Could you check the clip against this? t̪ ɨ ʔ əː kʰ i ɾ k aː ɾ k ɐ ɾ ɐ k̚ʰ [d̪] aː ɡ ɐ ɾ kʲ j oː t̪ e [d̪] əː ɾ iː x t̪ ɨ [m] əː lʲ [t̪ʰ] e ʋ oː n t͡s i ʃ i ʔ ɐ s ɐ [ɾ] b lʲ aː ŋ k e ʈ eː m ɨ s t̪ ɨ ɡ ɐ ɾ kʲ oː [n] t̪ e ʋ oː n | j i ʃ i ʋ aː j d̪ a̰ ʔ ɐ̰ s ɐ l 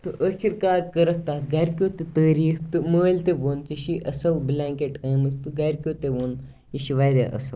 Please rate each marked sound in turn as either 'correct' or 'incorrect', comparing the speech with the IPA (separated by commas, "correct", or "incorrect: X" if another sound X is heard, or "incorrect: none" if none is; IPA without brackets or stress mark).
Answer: incorrect: t̪, incorrect: t̪, correct, incorrect: t̪, incorrect: l, incorrect: none